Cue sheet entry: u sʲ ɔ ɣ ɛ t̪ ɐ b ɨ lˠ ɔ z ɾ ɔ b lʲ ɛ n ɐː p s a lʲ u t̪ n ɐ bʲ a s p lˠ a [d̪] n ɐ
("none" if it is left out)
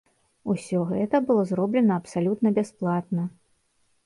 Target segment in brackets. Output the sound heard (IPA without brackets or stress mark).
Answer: t̪